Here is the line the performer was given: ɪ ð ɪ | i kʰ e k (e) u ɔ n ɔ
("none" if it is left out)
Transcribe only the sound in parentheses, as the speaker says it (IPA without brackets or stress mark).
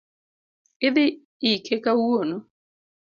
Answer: a